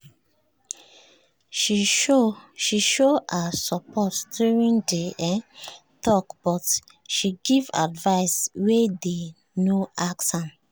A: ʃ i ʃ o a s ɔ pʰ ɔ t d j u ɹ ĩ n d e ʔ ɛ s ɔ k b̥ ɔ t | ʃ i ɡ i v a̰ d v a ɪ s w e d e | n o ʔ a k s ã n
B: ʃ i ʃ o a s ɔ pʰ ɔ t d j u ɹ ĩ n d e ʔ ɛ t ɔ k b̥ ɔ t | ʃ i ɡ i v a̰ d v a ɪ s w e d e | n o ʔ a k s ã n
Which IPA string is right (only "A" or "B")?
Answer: B